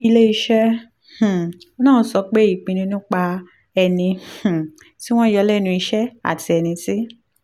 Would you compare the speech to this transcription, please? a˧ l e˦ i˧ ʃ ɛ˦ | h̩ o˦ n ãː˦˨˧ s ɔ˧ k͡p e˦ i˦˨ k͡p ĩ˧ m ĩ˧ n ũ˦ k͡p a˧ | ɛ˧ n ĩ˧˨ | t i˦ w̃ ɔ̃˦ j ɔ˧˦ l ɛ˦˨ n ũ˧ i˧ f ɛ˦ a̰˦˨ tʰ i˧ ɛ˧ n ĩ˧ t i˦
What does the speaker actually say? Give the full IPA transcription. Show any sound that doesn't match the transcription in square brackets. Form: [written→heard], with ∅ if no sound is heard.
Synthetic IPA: [a˧→i˧] l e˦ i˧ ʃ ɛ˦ | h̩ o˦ n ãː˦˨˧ s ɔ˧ k͡p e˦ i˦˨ k͡p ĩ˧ [m→n] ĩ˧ n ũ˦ k͡p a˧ | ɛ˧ n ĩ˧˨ | t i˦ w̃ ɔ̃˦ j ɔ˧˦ l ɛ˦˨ n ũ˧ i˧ [f→ʃ] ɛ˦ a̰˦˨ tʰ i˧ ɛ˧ n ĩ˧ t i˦